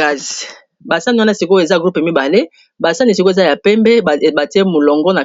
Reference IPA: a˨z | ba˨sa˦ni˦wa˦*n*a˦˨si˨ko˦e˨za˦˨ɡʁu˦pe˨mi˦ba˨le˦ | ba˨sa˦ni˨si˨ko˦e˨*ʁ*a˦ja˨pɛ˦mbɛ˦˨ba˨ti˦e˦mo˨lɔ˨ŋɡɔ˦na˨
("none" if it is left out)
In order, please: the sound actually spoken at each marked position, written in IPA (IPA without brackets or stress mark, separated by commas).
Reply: n, z